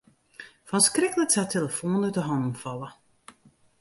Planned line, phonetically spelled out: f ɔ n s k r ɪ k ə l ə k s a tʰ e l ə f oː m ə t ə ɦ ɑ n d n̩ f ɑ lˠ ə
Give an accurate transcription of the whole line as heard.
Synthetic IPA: f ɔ n s k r ɪ k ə l ə k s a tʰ e l ə f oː n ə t ə ɦ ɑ n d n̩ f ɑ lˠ ə